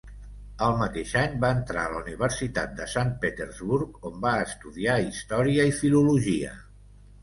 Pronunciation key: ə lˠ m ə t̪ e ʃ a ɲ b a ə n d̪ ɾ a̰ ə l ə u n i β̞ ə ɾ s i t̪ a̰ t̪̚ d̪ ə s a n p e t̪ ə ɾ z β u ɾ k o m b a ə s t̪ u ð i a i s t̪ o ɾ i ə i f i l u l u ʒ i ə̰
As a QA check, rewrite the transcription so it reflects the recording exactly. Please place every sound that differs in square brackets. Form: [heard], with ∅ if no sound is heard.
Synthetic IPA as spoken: ə lˠ m ə t̪ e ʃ a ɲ b a ə n [t̪] ɾ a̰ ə l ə u n i β̞ ə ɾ s i t̪ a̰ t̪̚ d̪ ə s a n p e t̪ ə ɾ z β u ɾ k o m b a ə s t̪ u ð i a i s t̪ [ɔ] ɾ i ə i f i l u l u ʒ i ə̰